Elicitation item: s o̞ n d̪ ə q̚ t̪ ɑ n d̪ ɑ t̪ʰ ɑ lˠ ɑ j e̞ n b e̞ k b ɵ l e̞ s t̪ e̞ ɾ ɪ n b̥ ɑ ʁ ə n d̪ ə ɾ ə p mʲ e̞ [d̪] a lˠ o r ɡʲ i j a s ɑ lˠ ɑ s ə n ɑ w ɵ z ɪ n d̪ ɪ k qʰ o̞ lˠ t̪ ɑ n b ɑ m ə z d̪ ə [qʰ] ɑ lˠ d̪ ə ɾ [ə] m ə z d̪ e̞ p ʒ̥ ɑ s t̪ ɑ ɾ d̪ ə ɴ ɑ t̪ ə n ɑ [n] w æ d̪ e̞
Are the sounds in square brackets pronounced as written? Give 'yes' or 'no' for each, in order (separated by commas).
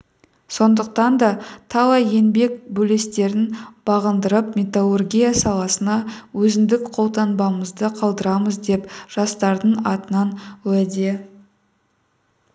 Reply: no, yes, no, yes